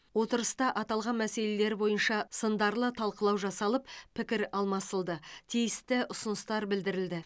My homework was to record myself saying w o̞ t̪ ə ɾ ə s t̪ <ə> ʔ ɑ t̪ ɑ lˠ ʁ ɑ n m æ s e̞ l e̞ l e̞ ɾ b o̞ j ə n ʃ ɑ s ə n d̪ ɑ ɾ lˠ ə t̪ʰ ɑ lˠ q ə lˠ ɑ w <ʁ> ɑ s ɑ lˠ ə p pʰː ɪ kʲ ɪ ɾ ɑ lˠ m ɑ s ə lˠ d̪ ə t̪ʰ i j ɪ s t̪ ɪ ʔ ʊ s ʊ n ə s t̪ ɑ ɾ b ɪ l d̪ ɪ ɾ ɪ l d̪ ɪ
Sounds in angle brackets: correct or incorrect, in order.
incorrect: ɑ, incorrect: ʒ

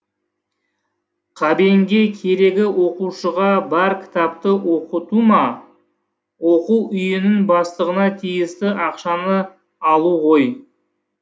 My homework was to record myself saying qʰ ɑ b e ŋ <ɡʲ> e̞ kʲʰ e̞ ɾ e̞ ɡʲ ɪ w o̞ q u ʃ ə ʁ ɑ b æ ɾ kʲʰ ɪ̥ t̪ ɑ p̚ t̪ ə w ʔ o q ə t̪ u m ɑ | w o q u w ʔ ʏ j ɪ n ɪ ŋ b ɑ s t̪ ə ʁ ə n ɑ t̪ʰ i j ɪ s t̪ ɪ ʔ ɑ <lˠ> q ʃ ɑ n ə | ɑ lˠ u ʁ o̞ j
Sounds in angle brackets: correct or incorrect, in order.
correct, incorrect: none

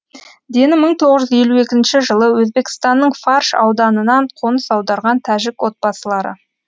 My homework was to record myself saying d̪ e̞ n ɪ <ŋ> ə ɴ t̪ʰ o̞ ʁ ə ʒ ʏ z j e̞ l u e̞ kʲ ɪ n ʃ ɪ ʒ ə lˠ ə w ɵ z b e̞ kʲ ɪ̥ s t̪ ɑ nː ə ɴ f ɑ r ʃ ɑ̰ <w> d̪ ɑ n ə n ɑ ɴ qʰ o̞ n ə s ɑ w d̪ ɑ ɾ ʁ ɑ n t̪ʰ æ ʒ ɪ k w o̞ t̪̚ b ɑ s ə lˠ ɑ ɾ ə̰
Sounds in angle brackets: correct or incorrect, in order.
incorrect: m, correct

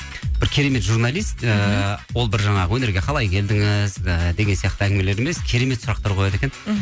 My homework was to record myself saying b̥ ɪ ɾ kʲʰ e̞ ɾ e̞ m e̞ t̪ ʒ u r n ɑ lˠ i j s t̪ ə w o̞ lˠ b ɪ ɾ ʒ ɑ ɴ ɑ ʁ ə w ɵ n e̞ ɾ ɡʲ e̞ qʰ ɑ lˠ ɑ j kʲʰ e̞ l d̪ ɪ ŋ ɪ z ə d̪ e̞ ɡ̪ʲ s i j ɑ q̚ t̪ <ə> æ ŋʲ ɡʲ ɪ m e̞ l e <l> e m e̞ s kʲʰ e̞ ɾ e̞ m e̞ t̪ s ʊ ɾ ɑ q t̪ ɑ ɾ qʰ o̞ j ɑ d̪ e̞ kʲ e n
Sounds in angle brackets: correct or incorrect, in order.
correct, incorrect: ɾ

